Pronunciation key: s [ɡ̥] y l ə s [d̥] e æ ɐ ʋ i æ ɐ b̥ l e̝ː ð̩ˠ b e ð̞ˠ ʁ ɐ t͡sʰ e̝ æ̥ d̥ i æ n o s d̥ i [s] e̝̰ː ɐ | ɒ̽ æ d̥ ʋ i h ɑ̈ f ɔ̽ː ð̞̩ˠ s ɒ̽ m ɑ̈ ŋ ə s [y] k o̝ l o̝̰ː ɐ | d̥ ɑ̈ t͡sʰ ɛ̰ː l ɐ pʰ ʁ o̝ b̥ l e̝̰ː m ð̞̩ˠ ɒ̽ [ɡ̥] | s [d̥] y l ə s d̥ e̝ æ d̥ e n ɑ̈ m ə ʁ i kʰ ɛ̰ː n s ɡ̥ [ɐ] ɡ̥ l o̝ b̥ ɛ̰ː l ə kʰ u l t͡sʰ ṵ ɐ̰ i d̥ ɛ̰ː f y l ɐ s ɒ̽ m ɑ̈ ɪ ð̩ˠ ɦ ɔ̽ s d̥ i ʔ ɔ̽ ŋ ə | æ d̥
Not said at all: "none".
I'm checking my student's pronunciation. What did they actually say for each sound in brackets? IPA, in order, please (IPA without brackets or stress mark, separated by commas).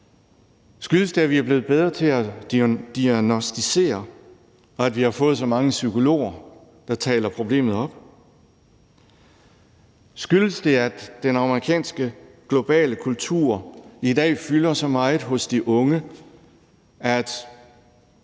ɡ̥, d̥, s, y, b̥, ɡ̥, ə